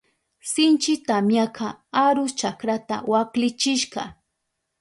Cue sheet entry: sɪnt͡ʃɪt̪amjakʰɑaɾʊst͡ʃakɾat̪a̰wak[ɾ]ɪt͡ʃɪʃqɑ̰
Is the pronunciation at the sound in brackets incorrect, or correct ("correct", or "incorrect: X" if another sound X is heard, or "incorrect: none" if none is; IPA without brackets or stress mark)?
incorrect: l